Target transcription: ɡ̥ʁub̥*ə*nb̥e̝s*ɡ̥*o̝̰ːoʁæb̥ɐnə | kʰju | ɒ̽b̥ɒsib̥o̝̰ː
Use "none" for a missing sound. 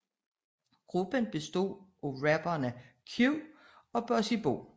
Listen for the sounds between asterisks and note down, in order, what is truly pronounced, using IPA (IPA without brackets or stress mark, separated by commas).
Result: ə, d̥